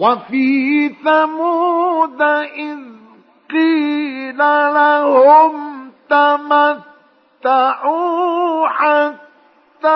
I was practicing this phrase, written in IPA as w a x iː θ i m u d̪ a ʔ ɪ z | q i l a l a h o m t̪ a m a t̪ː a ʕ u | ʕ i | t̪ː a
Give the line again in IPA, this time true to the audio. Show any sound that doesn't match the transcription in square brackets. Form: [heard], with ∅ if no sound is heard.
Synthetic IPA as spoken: w a [f] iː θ [a] m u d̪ a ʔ ɪ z | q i l a l a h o m t̪ a m a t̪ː a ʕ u | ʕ [a] | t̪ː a